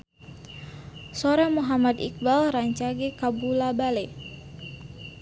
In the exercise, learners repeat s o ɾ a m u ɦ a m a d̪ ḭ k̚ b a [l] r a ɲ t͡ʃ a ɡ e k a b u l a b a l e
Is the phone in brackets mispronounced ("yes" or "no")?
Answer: no